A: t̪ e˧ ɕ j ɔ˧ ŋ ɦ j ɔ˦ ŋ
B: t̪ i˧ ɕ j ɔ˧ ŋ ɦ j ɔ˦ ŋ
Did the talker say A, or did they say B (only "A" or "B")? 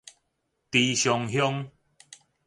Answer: B